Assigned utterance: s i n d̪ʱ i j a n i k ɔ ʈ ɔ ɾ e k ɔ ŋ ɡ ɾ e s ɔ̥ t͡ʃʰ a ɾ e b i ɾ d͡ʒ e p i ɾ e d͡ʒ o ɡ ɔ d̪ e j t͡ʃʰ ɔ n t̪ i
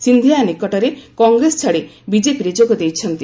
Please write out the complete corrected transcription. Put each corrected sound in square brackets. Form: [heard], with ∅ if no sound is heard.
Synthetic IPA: s i n d̪ʱ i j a n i k ɔ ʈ ɔ ɾ e k ɔ ŋ ɡ ɾ e s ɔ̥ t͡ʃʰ a [ɽ] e b i [∅] d͡ʒ e p i ɾ e d͡ʒ o ɡ ɔ d̪ e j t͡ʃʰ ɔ n t̪ i